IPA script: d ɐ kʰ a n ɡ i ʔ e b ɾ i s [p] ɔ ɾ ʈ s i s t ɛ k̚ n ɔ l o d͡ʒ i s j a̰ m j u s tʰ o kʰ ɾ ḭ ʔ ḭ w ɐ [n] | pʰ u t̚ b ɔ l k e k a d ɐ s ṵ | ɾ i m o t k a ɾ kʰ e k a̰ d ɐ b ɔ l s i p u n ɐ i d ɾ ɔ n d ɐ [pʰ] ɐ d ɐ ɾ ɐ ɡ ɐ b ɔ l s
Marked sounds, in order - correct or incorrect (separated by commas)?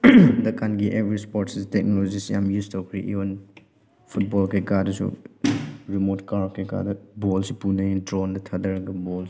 correct, correct, incorrect